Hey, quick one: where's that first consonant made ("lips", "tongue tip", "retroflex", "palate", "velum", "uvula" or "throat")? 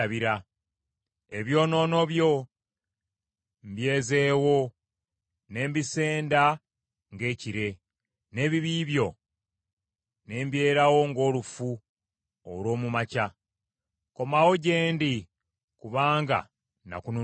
lips